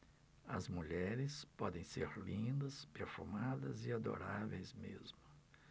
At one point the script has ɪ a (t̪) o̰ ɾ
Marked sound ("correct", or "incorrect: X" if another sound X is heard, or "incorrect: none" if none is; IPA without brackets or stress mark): incorrect: d̪